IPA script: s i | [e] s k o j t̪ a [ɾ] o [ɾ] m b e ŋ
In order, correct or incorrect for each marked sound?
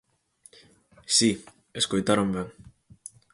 correct, correct, incorrect

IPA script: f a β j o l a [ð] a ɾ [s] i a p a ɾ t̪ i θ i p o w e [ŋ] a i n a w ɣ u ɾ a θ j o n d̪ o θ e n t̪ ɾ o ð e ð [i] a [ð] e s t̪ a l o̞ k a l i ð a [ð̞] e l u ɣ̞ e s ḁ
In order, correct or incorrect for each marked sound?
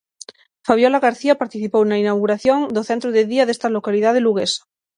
incorrect, incorrect, incorrect, correct, correct, correct

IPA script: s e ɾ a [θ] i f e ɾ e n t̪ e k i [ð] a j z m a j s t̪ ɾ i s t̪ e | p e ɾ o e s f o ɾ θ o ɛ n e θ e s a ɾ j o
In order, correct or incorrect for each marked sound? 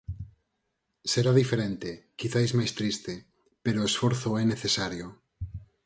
incorrect, incorrect

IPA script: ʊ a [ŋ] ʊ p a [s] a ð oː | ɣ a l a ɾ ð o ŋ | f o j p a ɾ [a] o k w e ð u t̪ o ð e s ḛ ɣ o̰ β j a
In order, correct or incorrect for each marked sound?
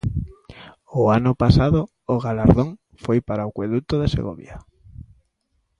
incorrect, correct, correct

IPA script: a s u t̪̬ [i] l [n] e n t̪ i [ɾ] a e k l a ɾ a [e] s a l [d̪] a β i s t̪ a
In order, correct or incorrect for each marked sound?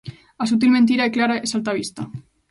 correct, incorrect, correct, correct, incorrect

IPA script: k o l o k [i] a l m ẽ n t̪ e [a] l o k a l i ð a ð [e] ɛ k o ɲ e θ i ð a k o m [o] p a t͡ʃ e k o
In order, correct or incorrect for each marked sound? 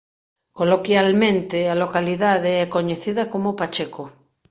incorrect, correct, correct, correct

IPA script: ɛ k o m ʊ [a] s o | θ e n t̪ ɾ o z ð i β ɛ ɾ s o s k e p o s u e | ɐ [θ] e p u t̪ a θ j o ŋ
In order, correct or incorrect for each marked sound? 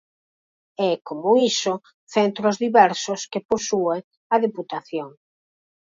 incorrect, incorrect

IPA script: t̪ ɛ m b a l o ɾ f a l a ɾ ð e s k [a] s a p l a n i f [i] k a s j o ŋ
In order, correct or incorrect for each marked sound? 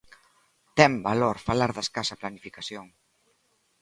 correct, correct

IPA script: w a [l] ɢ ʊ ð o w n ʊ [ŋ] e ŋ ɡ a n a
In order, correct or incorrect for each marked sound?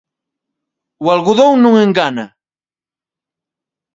correct, correct

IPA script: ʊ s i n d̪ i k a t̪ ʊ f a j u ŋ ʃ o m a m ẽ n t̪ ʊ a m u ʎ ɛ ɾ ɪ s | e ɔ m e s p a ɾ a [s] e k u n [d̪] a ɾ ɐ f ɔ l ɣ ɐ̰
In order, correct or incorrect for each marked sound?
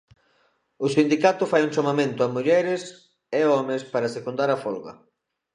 correct, correct

